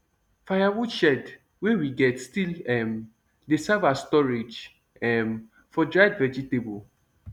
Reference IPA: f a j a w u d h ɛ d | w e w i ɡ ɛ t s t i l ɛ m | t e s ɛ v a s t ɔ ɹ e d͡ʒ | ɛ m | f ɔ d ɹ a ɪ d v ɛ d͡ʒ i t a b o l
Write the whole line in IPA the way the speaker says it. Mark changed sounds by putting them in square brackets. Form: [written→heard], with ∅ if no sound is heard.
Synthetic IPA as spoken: f a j a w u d [h→ʃ] ɛ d | w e w i ɡ ɛ t s t i l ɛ m | [t→d] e s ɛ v a s t ɔ ɹ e d͡ʒ | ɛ m | f ɔ d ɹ a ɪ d v ɛ d͡ʒ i t [a→e] b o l